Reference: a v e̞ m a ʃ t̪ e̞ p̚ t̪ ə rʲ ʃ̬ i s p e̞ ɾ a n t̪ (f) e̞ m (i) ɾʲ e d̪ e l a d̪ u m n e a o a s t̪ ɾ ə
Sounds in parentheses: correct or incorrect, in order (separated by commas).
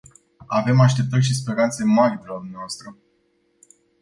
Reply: incorrect, incorrect